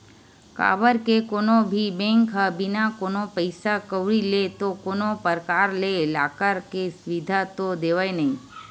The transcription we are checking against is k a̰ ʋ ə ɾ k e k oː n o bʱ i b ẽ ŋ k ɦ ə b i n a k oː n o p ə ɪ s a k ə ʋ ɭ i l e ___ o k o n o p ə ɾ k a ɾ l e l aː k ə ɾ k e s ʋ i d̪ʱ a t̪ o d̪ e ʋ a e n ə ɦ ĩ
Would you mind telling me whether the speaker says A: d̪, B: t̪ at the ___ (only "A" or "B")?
B